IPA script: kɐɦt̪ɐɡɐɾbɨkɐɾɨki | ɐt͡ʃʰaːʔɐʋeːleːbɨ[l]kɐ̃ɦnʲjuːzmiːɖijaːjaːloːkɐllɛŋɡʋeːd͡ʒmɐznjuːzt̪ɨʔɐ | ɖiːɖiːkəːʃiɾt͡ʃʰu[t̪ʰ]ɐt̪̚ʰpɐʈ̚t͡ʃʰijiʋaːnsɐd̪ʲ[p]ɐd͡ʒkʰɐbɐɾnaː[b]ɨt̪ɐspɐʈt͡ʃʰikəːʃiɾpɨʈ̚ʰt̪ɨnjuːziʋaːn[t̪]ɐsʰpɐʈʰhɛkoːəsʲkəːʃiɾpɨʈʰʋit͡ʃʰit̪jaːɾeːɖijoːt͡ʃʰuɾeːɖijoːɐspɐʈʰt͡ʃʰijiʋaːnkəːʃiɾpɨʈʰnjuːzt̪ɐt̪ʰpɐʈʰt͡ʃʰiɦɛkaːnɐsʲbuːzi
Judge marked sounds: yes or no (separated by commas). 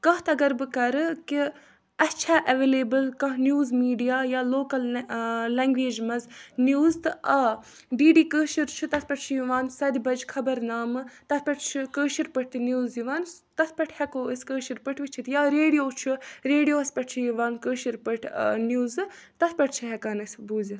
yes, no, no, no, yes